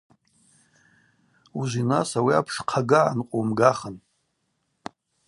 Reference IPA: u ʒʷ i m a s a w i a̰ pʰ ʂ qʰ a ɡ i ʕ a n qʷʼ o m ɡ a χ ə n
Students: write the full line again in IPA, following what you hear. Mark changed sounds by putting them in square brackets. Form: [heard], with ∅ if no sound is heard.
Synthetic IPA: u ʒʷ i [n] a s a w i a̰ pʰ ʂ qʰ a ɡ [a] ʕ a n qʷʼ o m ɡ a χ ə n